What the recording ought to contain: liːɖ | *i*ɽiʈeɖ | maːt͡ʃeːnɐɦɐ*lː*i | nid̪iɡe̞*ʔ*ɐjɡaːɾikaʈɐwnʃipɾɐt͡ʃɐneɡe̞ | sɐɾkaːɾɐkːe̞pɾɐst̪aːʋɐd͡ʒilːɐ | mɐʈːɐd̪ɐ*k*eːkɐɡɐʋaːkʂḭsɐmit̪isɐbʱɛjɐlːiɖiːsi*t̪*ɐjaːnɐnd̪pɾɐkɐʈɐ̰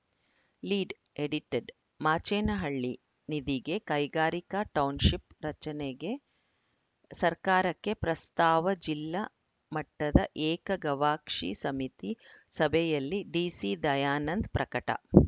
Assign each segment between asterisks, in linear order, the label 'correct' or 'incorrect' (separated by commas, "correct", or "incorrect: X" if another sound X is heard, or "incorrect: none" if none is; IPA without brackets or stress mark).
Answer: incorrect: e, incorrect: ɭː, incorrect: k, incorrect: ʔ, incorrect: d̪